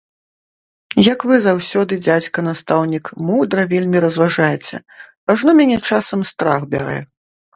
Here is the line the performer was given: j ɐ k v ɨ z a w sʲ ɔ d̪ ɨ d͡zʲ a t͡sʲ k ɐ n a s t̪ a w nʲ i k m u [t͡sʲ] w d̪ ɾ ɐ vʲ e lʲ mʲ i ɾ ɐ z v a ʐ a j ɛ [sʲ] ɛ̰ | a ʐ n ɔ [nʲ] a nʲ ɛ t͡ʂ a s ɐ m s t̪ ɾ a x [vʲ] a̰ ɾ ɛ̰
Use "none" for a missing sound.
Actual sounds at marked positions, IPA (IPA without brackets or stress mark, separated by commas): none, t͡sʲ, mʲ, bʲ